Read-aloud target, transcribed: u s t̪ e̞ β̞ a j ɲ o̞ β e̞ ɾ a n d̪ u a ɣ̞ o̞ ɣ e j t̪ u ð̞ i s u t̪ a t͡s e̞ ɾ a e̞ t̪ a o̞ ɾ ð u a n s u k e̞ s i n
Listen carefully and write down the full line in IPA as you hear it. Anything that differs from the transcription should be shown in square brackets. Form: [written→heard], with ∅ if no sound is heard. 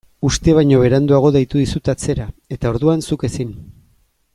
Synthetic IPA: u s t̪ e̞ β̞ a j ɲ o̞ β e̞ ɾ a n d̪ u a ɣ̞ o̞ [ɣ→ð] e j t̪ u ð̞ i s u t̪ a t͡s e̞ ɾ a e̞ t̪ a o̞ ɾ ð u a n s u k e̞ s i n